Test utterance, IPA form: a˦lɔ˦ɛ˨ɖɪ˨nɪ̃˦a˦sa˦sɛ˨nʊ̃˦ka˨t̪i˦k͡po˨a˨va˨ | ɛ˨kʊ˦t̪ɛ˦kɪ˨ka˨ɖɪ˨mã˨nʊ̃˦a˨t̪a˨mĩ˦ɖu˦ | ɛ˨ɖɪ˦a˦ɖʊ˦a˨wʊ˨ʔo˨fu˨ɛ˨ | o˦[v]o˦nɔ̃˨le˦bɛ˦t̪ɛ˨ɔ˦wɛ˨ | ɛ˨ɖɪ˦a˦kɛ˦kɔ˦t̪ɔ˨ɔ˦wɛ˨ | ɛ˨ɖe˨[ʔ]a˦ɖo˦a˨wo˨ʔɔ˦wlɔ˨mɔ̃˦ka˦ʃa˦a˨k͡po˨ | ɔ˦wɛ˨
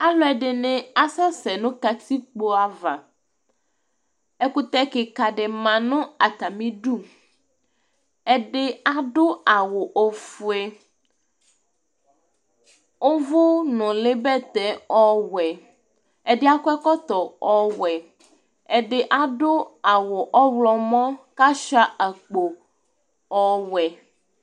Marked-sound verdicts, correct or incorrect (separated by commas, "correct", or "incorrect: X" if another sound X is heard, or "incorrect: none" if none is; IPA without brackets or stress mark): correct, correct